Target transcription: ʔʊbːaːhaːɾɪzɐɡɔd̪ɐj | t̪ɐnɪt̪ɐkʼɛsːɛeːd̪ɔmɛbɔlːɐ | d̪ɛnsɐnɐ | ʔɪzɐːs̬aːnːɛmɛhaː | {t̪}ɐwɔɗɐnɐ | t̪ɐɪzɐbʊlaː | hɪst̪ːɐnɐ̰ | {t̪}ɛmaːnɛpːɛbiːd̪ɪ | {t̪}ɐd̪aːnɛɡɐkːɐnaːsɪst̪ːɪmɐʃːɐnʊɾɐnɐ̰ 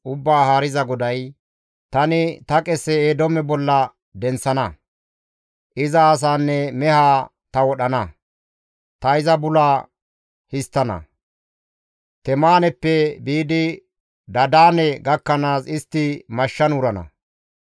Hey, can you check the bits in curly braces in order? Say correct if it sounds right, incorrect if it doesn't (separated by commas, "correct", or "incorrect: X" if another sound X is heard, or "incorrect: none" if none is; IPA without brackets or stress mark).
correct, correct, incorrect: d̪